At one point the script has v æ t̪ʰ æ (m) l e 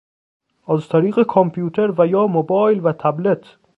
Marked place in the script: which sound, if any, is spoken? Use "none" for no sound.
b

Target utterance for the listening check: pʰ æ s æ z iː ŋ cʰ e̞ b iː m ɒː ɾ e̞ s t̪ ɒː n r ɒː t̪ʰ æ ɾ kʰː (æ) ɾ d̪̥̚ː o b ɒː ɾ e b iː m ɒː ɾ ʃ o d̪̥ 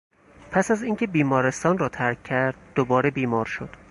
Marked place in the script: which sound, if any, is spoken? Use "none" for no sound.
æ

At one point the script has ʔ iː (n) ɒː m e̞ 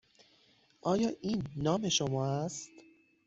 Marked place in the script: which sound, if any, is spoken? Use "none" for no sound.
nː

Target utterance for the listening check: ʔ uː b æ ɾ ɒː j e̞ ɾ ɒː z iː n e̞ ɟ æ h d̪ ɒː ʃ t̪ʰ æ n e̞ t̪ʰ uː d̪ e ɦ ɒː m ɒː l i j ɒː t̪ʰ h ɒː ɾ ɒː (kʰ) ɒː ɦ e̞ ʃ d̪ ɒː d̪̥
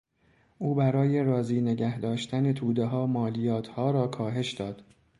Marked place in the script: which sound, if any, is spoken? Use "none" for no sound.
kʰ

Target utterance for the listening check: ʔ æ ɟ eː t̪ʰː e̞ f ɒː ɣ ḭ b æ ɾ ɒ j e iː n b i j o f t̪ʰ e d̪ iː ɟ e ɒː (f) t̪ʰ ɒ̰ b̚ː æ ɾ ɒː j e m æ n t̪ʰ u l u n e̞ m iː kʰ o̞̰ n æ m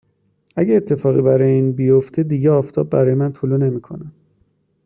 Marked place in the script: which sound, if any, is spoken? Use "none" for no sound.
f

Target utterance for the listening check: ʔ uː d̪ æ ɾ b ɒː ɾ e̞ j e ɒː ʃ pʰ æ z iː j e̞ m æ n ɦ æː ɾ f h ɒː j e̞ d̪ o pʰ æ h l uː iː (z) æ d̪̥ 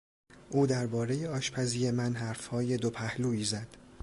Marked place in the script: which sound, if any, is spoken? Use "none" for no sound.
z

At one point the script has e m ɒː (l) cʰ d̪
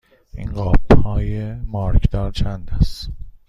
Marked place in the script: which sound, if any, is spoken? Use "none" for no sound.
ɾ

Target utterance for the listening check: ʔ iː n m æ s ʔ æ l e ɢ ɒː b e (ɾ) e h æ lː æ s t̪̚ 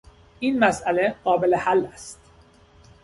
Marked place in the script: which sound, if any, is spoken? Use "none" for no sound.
l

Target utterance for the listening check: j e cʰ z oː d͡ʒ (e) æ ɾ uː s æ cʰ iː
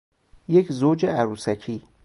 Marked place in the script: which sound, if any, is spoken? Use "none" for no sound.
e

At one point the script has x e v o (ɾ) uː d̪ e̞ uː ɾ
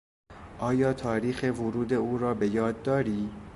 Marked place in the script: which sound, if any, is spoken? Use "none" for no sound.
ɾ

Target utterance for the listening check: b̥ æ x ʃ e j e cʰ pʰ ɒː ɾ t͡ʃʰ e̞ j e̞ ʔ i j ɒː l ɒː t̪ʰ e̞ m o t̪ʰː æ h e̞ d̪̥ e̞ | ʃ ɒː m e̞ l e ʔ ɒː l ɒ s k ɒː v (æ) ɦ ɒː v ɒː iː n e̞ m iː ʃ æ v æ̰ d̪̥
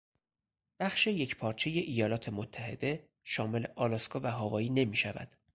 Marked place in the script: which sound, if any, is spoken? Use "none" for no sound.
æ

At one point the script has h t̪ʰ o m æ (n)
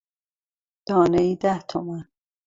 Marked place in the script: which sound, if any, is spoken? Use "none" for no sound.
n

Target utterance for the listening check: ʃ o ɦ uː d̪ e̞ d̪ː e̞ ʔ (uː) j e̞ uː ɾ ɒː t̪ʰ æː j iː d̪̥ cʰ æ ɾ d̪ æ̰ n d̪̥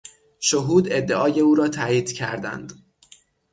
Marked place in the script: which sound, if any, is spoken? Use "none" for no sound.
ɒː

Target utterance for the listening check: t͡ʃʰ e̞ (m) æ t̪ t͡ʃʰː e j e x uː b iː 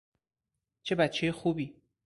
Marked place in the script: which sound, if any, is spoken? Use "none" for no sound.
b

